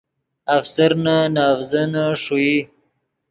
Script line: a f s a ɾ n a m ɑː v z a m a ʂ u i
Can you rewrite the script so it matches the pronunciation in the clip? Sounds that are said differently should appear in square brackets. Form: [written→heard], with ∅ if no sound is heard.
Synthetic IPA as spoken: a f s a ɾ n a [m→n] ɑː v z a [m→n] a ʂ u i